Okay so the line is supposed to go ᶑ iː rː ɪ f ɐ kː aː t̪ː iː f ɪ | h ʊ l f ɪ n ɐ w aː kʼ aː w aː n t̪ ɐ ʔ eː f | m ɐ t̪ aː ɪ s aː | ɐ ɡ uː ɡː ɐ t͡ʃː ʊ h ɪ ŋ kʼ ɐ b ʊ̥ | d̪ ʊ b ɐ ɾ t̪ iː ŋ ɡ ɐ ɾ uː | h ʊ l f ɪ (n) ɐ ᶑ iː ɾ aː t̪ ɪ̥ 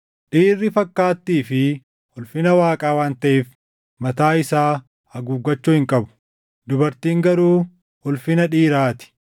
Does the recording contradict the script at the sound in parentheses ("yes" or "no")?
no